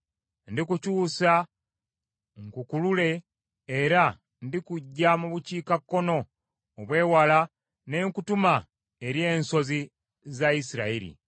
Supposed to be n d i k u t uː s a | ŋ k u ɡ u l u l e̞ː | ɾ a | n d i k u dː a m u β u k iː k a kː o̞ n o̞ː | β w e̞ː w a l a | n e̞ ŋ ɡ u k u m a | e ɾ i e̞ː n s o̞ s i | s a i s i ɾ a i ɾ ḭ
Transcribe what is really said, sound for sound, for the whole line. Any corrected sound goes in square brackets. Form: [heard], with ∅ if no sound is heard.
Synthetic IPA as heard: n d i k u [c] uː s a | ŋ k u [k] u l u l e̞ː | ɾ a | n d i k u [ɟː] a m u β u [c] iː k a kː o̞ n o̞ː | β w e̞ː w a l a | n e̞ ŋ [k] u [t] u m a | e ɾ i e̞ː n s o̞ [z] i | [z] a i s i ɾ a i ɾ ḭ